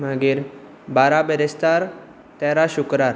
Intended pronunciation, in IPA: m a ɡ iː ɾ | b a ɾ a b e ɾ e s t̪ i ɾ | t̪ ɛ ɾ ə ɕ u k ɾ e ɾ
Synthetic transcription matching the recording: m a ɡ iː ɾ | b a ɾ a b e ɾ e s t̪ a ɾ | t̪ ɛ ɾ a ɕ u k ɾ a ɾ